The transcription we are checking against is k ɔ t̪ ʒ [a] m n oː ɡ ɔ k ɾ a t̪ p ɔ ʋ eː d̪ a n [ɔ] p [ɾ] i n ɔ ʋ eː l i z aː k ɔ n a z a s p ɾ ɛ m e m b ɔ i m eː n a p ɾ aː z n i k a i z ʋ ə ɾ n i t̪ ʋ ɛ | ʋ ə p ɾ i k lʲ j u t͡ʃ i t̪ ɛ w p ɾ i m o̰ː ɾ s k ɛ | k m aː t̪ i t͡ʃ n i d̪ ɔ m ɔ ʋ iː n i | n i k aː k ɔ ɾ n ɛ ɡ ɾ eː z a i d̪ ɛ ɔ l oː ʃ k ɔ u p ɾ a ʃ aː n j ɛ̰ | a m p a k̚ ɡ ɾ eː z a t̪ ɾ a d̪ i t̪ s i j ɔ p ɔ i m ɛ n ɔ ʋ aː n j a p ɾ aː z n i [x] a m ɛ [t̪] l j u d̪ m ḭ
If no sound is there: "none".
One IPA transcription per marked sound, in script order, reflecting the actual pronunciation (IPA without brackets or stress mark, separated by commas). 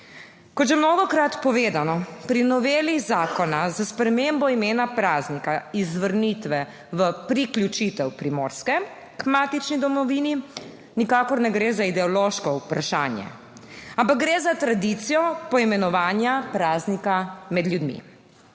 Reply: ɛ, ɔ, ɾ, k, d̪